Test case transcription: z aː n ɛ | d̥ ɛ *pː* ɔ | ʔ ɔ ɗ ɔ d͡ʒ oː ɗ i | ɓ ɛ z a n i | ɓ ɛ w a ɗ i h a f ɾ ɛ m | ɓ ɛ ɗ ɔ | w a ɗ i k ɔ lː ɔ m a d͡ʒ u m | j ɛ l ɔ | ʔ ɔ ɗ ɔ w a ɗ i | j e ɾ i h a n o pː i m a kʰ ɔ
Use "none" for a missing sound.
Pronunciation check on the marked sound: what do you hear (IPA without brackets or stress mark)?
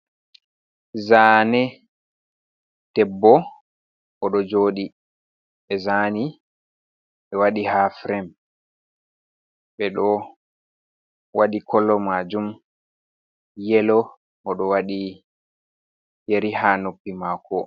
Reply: bː